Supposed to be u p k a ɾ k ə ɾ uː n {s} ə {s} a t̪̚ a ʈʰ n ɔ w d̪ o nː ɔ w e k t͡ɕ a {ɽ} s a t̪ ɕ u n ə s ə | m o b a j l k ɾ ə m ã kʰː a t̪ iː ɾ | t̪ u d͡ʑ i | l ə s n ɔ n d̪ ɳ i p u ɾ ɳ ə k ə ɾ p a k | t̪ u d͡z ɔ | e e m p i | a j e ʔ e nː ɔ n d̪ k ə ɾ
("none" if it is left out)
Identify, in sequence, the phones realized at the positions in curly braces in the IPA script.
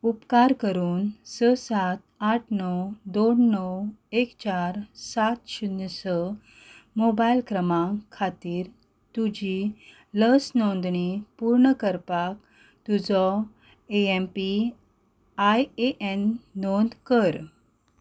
s, s, ɾ

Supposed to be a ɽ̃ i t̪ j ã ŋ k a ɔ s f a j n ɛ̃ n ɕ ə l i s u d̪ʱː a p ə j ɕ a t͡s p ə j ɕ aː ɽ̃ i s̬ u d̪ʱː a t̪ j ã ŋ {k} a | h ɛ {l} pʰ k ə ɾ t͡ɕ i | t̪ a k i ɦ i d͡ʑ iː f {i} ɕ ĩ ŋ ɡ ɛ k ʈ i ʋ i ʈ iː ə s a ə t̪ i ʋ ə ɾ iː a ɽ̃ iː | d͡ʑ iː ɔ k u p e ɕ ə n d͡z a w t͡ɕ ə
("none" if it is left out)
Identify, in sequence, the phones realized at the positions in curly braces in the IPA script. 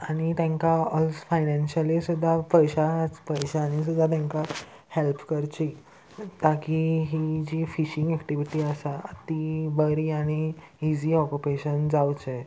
k, l, i

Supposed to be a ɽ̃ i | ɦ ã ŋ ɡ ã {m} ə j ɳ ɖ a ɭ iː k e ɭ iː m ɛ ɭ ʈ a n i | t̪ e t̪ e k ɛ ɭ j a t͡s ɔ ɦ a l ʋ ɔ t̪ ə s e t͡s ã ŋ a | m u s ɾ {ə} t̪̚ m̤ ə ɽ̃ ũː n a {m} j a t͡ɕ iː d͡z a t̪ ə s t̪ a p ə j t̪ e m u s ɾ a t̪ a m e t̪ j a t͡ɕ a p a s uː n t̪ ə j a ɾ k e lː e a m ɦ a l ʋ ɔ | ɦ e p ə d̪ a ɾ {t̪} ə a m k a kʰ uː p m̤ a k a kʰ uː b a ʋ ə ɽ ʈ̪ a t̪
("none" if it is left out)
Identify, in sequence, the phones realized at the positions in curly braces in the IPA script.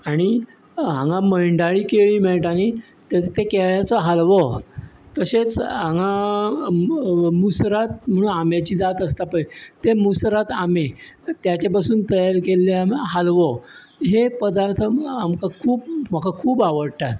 m, a, m, t̪ʰ

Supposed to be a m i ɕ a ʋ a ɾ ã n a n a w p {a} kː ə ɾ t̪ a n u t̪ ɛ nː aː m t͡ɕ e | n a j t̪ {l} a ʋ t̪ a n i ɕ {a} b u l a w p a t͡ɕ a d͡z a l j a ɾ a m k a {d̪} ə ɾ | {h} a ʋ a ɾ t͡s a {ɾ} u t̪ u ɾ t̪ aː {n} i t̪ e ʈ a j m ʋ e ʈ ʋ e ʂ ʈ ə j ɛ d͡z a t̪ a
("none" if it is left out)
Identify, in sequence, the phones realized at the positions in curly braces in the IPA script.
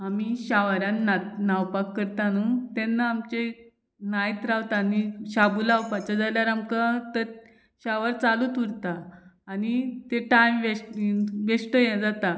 a, ɾ, a, t̪, ɕ, l, n

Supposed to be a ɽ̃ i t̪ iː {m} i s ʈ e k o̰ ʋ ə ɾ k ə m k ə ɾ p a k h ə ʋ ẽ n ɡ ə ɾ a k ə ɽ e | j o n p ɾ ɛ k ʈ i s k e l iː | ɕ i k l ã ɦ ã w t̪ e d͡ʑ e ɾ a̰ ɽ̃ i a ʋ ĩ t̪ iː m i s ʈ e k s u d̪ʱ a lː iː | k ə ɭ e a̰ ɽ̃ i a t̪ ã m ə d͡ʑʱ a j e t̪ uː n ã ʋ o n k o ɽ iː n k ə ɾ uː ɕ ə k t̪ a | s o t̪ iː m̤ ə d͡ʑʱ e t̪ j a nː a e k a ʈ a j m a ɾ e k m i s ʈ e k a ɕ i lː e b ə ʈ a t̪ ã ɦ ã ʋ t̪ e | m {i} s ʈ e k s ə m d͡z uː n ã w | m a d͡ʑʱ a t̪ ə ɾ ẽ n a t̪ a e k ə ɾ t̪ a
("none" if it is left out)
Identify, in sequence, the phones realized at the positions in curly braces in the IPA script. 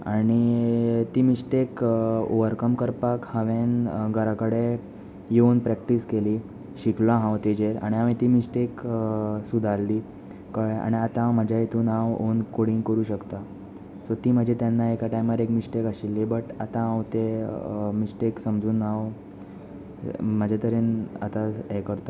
m, i

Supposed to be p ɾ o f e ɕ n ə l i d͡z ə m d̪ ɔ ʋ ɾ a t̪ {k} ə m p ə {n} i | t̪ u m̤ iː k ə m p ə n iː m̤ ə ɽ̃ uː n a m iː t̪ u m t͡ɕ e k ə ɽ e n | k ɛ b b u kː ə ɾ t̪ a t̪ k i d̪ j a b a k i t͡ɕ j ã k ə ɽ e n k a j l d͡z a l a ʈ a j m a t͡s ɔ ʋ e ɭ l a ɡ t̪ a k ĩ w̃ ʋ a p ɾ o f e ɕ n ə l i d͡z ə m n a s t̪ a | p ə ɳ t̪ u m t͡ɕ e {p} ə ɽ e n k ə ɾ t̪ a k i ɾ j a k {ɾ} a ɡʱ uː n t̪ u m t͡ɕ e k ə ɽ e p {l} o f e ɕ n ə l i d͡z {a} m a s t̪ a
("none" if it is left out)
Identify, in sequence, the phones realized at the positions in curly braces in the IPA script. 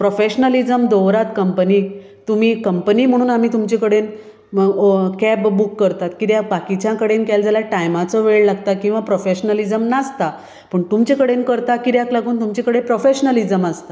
k, n, k, l, ɾ, ə

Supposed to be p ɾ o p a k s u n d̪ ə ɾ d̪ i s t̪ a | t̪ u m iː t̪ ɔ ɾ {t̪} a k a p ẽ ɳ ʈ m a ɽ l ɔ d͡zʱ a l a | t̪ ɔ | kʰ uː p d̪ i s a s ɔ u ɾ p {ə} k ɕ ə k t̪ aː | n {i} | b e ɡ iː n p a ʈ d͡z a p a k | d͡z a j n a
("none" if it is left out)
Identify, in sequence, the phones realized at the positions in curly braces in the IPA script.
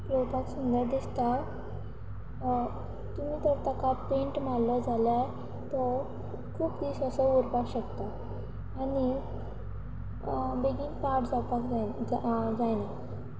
t̪, a, i

